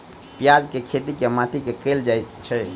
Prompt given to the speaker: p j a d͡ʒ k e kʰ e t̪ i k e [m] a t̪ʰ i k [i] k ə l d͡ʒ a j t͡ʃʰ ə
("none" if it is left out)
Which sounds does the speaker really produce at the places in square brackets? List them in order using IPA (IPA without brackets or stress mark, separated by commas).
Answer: m, e